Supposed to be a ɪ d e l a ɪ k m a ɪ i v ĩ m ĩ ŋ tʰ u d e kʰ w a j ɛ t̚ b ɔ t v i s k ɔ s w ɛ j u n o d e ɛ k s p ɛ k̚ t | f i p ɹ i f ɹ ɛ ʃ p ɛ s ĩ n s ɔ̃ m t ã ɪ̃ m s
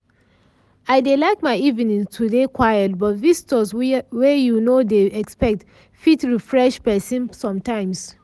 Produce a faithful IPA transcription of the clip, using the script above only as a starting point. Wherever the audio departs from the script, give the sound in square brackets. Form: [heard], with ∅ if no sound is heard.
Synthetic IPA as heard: a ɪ d e l a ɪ k m a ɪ i v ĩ [n] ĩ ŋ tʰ u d e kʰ w a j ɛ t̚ b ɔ t v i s [t] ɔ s w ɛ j u n o d e ɛ k s p ɛ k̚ t | f i [t] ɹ i f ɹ ɛ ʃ p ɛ s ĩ n s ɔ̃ m t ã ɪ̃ m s